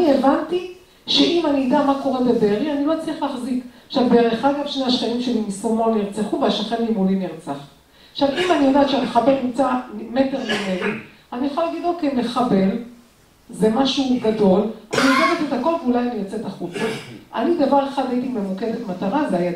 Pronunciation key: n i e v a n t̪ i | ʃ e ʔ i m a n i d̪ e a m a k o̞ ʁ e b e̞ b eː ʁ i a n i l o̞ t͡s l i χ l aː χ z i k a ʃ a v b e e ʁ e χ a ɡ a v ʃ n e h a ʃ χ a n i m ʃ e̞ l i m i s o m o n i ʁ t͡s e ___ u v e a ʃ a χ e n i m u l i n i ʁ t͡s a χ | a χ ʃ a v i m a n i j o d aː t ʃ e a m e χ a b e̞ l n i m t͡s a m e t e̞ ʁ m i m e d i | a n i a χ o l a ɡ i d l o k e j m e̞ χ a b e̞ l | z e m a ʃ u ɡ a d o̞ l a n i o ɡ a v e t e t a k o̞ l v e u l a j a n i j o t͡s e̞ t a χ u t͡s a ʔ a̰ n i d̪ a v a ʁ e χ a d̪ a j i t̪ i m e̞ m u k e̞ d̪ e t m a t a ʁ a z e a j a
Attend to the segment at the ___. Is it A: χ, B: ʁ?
A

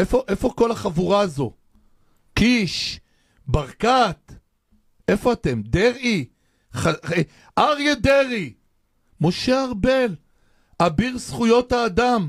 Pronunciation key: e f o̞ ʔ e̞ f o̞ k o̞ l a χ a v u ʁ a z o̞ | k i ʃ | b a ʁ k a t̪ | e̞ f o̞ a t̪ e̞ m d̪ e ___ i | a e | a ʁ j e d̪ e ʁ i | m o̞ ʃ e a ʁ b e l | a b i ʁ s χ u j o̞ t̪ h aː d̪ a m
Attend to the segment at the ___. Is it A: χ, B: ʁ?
B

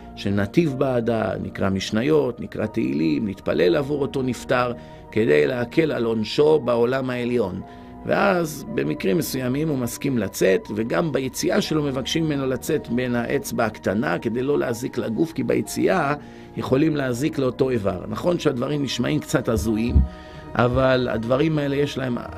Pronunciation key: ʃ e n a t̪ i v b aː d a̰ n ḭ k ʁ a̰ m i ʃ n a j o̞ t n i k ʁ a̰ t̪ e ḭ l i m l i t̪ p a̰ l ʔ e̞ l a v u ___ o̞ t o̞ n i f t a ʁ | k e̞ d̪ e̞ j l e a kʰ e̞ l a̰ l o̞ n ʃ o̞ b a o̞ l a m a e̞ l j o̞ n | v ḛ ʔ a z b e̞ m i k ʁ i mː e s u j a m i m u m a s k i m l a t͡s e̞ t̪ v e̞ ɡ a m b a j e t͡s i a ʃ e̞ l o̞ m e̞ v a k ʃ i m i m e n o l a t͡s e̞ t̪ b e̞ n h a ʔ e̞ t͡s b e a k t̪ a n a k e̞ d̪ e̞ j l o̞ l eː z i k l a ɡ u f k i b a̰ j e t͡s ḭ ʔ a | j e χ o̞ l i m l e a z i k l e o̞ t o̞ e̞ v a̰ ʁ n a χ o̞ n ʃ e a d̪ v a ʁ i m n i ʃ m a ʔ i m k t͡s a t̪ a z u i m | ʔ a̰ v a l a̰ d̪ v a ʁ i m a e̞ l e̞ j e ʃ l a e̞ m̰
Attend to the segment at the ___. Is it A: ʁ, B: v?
A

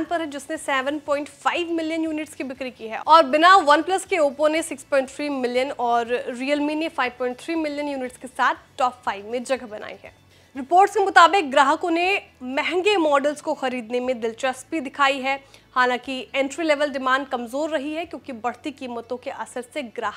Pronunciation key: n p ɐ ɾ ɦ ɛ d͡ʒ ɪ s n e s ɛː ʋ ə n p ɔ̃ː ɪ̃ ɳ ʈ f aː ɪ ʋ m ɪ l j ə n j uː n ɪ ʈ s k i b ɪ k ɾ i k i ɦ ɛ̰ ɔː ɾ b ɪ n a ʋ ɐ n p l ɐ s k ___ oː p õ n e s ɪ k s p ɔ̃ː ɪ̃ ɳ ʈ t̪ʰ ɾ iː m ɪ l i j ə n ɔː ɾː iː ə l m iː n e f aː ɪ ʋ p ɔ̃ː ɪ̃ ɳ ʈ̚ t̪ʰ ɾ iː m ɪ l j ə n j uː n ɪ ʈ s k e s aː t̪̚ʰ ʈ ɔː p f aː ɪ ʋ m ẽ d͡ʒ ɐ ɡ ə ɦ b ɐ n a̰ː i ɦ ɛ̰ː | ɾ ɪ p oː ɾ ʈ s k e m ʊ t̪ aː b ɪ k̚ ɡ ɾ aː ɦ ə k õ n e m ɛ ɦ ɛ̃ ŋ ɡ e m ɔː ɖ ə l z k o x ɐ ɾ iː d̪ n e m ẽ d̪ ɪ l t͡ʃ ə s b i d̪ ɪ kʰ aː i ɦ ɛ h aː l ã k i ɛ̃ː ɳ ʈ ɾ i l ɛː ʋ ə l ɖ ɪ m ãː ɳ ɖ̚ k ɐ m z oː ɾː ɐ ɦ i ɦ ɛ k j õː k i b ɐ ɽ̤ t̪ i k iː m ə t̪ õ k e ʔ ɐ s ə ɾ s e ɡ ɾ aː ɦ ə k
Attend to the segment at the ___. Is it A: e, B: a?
A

